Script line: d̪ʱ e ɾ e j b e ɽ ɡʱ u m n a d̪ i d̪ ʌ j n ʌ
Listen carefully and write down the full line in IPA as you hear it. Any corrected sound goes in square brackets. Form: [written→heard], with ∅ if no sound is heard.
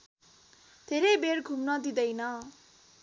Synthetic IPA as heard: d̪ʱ e ɾ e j b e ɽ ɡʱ u m n [a→ʌ] d̪ i d̪ ʌ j n ʌ